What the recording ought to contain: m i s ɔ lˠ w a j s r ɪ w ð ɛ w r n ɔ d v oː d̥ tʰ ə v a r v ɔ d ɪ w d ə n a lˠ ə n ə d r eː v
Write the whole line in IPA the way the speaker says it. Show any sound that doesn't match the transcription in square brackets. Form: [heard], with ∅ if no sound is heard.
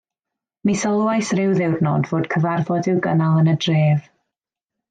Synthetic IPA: m i s ɔ lˠ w a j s r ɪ w ð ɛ w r n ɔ d v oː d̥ [kʰ] ə v a r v ɔ d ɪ w [ɡ] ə n a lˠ ə n ə d r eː v

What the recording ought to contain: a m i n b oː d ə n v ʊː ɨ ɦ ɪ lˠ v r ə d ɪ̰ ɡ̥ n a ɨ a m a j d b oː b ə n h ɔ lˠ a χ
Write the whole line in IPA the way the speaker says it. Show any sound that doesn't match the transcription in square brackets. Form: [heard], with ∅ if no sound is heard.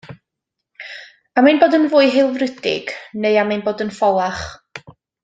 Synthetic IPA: a m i n b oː d ə n v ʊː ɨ ɦ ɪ lˠ v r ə d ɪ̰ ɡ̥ n [e] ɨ a m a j [n] b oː [d] ə n [f] ɔ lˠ a χ

